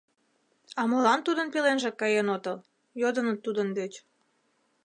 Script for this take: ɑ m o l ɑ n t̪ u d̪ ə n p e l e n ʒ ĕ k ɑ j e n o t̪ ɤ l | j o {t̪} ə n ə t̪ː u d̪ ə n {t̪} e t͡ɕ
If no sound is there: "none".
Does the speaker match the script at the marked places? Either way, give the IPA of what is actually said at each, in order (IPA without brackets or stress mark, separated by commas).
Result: d̪, d̪